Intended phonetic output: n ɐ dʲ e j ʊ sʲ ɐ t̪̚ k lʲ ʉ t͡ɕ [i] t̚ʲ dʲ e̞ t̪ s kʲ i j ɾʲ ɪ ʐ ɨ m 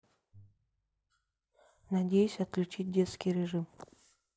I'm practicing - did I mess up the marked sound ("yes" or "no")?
no